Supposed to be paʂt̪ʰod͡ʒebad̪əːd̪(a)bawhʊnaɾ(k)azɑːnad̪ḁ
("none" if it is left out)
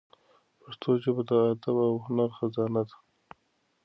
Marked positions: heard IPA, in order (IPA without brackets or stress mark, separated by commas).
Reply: a, x